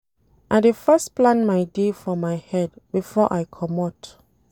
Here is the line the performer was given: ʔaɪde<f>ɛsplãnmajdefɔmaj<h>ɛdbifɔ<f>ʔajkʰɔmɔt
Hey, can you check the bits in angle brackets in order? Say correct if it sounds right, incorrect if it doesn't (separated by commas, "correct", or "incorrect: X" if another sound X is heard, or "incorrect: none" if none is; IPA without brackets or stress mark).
correct, correct, incorrect: none